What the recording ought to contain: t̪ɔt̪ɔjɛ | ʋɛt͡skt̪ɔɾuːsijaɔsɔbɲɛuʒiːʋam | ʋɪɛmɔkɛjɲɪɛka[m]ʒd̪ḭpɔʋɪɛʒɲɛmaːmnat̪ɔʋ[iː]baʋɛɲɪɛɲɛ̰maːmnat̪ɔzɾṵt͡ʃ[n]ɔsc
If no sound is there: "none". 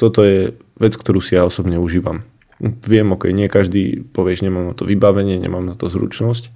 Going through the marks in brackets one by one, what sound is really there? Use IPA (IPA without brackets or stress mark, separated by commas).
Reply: none, i, n